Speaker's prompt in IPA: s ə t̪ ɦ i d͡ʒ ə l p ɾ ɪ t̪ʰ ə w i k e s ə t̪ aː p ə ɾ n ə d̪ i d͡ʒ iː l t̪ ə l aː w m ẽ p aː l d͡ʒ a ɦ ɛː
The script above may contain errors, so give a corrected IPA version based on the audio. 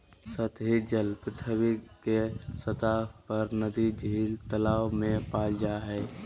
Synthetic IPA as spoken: s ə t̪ ɦ i d͡ʒ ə l p ɾ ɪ t̪ʰ ə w i k e s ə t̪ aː p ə ɾ n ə d̪ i d͡ʒ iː l t̪ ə l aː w m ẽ p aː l d͡ʒ a ɦ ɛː

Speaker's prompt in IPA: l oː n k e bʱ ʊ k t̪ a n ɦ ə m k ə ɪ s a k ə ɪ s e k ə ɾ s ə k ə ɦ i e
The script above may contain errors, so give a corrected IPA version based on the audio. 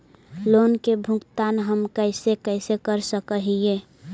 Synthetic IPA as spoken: l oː n k e bʱ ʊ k t̪ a n ɦ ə m k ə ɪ s e k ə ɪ s e k ə ɾ s ə k ə ɦ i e

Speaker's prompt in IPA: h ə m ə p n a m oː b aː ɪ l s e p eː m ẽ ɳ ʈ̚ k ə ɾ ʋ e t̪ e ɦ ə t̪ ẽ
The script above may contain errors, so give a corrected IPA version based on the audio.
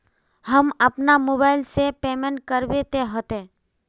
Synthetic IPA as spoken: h ə m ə p n a m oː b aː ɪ l s e p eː m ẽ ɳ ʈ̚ k ə ɾ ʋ e t̪ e ɦ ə t̪ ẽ

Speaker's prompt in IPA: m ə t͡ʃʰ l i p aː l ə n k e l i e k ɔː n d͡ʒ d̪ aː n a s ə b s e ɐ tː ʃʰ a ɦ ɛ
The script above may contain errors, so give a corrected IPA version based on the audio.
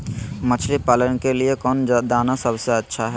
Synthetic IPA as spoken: m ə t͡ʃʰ l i p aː l ə n k e l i e k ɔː n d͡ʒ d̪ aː n a s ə b s e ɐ tː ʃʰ a ɦ ɛ

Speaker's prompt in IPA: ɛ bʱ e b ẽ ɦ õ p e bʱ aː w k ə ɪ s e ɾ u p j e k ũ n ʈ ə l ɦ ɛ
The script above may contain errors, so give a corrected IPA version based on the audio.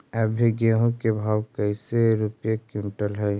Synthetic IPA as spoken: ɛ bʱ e ɡ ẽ ɦ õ k e bʱ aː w k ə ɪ s e ɾ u p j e k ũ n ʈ ə l ɦ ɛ

